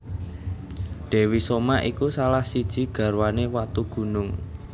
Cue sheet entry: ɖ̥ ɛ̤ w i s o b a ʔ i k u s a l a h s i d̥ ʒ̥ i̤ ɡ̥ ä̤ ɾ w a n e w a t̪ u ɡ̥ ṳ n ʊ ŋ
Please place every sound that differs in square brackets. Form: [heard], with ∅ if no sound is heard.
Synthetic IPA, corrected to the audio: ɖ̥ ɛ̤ w i s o [m] a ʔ i k u s a l a h s i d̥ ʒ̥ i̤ ɡ̥ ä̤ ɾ w a n e w a t̪ u ɡ̥ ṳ n ʊ ŋ